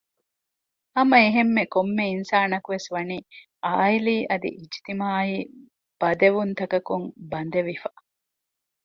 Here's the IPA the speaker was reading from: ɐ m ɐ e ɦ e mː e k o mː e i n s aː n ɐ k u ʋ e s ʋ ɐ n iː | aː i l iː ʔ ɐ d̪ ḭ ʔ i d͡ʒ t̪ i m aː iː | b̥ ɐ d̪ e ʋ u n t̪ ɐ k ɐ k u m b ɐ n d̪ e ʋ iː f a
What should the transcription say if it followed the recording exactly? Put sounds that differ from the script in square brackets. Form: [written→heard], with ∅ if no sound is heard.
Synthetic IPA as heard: ɐ m ɐ e ɦ e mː e k o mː e i n s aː n ɐ k u ʋ e s ʋ ɐ n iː | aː i l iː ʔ ɐ d̪ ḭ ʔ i d͡ʒ t̪ i m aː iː | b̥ ɐ d̪ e ʋ u n t̪ ɐ k ɐ k u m b ɐ n d̪ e ʋ [iː→i] f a

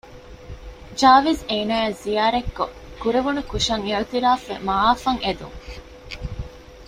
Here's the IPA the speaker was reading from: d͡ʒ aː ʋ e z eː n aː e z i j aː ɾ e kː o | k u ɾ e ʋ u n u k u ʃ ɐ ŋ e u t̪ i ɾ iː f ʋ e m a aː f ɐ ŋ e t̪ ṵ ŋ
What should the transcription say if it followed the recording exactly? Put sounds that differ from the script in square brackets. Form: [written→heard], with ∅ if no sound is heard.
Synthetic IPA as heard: d͡ʒ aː ʋ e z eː n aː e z i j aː ɾ e kː o | k u ɾ e ʋ u n u k u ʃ ɐ ŋ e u t̪ i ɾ [iː→aː] f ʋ e m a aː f ɐ ŋ e [t̪→d̪] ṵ ŋ

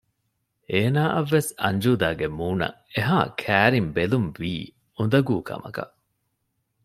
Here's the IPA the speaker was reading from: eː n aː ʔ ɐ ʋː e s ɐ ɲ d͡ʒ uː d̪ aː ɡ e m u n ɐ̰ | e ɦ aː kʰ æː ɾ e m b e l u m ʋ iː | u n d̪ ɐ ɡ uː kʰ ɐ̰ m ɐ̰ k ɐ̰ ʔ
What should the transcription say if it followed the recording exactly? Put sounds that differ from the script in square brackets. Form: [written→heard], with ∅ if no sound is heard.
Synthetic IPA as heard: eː n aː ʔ ɐ ʋː e s ɐ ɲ d͡ʒ uː d̪ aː ɡ e m [u→uː] n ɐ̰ | e ɦ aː kʰ æː ɾ [e→i] m b e l u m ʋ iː | u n d̪ ɐ ɡ uː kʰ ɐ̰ m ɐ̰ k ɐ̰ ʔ

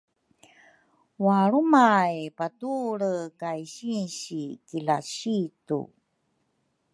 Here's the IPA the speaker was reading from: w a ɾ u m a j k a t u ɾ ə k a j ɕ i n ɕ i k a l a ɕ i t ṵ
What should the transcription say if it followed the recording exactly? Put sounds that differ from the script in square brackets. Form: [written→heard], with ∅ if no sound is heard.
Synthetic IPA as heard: w a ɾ u m a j [k→p] a t u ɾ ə k a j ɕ i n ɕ i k [a→i] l a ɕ i t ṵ

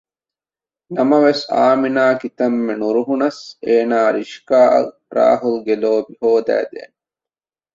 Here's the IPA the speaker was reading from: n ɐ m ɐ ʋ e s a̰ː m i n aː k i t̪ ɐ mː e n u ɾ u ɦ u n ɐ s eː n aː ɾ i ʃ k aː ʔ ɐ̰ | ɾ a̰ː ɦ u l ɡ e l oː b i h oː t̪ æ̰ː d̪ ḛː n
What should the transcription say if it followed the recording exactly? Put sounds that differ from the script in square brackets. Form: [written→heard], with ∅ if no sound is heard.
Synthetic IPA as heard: n ɐ m ɐ ʋ e s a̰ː m i n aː k i t̪ ɐ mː e n u ɾ u ɦ u n ɐ s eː n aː ɾ i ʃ k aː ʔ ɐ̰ | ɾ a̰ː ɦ u l ɡ e l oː b i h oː [t̪→d̪] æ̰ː d̪ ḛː n

